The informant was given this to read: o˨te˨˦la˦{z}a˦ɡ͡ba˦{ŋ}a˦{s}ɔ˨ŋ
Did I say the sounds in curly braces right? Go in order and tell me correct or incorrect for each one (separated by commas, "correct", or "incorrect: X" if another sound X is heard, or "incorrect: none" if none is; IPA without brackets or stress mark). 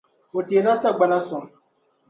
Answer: incorrect: s, incorrect: n, correct